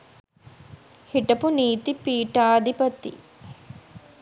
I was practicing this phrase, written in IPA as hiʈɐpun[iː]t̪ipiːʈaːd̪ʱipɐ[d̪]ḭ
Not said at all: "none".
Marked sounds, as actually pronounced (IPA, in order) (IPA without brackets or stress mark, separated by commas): iː, t̪